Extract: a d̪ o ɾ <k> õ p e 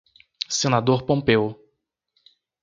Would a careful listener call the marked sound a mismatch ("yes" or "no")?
yes